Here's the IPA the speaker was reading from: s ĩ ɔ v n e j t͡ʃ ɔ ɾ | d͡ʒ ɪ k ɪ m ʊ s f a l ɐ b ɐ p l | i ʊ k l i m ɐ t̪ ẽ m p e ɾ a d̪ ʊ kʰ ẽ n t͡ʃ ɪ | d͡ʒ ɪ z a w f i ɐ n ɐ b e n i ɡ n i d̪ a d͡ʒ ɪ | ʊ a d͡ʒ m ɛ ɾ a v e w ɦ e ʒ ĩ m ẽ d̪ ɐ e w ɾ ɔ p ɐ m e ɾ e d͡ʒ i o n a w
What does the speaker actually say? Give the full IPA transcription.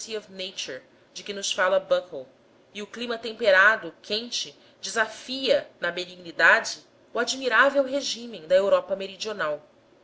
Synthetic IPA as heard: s i ɔ v n e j t͡ʃ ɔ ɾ | d͡ʒ ɪ k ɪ n ʊ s f a l ɐ b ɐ k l | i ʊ k l i m ɐ t̪ ẽ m p e ɾ a d̪ ʊ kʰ ẽ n t͡ʃ ɪ | d͡ʒ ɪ z a f i ɐ n ɐ b e n i ɡ n i d̪ a d͡ʒ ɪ | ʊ a d͡ʒ m i ɾ a v e w ɦ e ʒ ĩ m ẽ d̪ ɐ e w ɾ ɔ p ɐ m e ɾ i d͡ʒ i o n a w